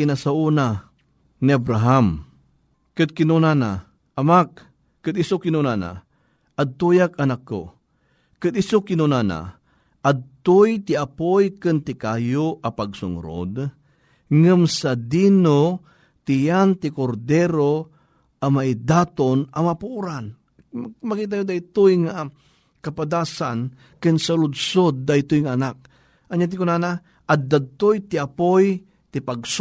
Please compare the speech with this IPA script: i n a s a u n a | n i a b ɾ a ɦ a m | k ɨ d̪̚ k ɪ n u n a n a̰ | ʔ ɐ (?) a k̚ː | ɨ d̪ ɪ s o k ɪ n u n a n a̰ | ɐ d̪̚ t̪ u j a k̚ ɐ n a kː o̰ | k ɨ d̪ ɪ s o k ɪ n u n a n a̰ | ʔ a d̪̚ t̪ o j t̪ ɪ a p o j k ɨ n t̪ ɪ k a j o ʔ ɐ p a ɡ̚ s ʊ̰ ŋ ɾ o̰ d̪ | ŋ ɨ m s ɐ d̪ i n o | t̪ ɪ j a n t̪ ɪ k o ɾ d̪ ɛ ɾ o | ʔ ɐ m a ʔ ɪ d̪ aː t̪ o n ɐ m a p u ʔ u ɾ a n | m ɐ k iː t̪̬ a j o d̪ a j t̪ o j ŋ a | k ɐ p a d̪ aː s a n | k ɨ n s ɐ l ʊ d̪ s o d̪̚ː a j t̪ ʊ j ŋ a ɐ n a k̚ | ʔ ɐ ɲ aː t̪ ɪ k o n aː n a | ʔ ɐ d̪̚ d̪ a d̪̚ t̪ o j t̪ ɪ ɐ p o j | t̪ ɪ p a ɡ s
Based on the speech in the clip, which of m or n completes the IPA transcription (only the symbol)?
m